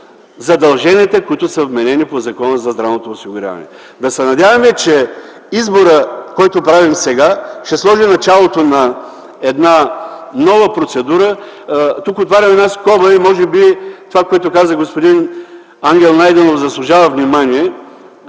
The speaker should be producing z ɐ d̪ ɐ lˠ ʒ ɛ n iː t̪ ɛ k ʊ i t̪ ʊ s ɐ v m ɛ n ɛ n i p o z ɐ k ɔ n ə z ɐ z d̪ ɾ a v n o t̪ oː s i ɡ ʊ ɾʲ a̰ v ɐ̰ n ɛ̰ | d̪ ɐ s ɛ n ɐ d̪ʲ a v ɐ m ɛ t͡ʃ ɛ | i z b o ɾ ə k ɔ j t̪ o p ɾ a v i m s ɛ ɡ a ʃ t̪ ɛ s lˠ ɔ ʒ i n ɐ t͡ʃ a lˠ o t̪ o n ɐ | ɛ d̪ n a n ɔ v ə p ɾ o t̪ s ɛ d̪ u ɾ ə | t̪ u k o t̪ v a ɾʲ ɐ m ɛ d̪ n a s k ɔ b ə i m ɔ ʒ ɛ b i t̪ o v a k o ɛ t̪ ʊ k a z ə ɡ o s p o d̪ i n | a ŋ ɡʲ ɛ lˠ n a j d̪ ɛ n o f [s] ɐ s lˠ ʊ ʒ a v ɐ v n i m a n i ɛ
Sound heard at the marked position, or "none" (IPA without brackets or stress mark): z